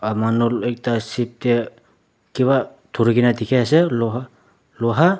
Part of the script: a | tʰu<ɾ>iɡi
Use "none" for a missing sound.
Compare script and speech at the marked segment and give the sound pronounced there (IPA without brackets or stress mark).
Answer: ɾ